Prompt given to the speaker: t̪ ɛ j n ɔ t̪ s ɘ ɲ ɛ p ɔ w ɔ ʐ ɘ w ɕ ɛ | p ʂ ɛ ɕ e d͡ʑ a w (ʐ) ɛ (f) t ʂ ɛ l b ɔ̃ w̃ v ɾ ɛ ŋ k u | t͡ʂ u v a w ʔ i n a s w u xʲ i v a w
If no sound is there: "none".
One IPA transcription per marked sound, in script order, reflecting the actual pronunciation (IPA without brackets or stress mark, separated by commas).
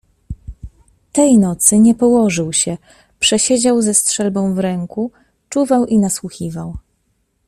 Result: z, s